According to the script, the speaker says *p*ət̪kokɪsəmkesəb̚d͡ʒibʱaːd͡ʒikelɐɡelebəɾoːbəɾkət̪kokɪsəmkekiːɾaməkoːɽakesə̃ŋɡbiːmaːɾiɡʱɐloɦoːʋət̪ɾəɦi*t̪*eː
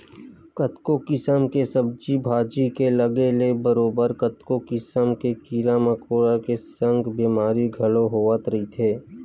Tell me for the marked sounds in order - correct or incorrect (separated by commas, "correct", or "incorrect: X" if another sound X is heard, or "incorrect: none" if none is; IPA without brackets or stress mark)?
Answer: incorrect: k, incorrect: t̪ʰ